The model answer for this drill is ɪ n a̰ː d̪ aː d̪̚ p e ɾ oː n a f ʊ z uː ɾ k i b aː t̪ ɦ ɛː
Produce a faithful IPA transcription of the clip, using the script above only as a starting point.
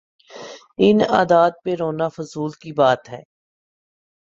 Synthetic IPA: ɪ n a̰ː d̪ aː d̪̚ p e ɾ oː n a f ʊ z uː l k i b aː t̪ ɦ ɛː